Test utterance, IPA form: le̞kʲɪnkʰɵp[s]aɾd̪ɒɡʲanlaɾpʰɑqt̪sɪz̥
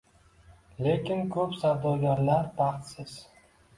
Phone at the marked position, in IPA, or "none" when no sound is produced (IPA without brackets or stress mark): s